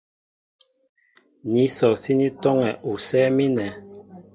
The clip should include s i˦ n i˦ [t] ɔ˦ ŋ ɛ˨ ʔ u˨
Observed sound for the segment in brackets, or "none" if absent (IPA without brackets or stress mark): t